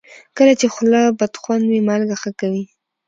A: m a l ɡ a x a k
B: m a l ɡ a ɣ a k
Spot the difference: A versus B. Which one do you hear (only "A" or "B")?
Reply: A